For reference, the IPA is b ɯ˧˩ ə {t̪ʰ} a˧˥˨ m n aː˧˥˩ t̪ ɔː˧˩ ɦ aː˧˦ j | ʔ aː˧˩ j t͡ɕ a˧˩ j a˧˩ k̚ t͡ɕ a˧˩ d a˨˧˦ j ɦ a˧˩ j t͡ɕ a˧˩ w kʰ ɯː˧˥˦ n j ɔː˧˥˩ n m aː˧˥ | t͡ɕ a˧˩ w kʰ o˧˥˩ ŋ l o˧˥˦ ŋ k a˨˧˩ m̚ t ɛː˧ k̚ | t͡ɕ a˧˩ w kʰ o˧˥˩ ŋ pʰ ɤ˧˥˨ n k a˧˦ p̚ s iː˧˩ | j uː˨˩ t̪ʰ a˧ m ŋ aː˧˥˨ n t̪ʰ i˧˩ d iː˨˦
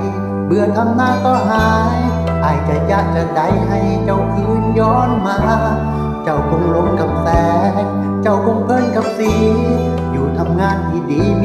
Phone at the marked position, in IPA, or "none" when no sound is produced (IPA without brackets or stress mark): t̪ʰ